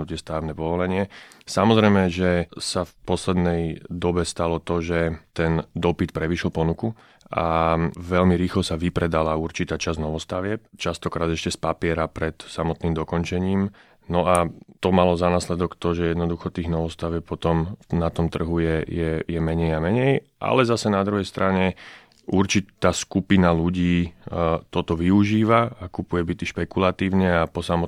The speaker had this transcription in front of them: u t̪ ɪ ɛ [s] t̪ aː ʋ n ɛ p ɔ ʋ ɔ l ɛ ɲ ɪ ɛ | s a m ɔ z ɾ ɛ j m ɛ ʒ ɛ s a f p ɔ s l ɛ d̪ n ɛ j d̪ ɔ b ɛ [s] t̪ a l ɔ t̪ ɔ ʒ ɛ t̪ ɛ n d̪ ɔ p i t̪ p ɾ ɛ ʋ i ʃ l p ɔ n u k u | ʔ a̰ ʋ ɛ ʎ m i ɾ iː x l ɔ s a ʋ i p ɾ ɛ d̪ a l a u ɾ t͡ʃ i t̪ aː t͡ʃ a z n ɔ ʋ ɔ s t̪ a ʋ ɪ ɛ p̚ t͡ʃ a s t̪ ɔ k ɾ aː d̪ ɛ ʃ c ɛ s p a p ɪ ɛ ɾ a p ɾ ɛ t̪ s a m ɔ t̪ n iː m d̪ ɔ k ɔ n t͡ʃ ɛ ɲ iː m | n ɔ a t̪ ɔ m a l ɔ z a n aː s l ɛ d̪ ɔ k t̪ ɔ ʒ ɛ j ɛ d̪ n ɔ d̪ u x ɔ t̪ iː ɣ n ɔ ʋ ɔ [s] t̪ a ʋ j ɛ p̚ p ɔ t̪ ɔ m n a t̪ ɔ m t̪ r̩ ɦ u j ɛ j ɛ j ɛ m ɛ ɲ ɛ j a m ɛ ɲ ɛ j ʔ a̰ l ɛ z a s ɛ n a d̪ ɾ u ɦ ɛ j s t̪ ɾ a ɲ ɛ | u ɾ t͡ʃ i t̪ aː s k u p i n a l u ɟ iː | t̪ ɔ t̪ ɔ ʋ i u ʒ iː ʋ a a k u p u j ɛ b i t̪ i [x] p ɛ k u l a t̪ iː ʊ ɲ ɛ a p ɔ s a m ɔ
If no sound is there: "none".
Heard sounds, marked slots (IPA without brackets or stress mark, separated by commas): s, s, s, ʃ